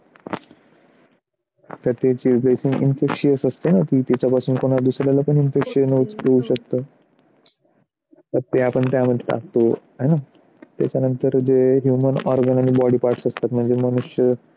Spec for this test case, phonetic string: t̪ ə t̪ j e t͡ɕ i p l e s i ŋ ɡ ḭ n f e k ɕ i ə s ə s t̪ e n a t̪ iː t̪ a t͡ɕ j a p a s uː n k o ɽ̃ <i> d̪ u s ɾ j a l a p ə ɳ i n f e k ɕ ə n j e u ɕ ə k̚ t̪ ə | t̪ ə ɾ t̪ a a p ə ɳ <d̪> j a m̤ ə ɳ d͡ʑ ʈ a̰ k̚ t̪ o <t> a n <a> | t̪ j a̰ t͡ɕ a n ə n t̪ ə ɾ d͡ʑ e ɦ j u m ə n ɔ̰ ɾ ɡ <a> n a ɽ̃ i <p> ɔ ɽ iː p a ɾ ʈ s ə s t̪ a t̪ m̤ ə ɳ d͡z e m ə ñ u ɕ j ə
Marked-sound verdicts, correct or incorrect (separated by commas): incorrect, incorrect, correct, correct, incorrect, incorrect